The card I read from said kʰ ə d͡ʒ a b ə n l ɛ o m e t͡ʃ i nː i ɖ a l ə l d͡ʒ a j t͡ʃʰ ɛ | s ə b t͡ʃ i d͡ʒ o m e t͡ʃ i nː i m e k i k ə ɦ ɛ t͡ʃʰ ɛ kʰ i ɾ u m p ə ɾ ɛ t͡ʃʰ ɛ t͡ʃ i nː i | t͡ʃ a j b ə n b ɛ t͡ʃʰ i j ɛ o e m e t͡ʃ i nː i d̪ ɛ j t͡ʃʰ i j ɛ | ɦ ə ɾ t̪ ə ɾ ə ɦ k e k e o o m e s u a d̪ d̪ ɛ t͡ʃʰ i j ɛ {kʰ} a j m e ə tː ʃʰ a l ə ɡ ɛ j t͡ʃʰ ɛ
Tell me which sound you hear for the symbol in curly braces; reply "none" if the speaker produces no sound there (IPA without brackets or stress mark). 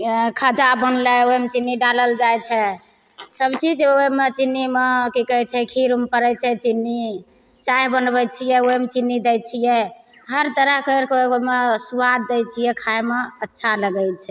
kʰ